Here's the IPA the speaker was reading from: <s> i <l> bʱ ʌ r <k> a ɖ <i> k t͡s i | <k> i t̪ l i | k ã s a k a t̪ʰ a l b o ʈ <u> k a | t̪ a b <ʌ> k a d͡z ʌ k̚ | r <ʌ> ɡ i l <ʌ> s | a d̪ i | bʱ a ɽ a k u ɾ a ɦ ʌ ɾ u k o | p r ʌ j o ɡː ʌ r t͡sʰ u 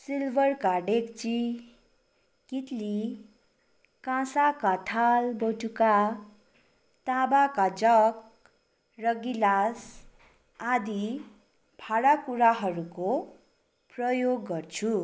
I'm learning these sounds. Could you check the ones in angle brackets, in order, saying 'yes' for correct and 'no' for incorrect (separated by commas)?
yes, yes, yes, no, yes, yes, no, yes, no